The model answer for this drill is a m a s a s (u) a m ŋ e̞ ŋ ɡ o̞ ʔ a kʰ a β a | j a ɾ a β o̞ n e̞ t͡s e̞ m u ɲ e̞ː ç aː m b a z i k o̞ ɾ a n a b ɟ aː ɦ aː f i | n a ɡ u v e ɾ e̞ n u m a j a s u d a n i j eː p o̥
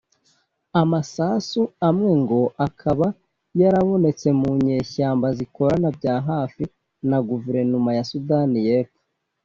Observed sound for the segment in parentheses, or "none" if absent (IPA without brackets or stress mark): u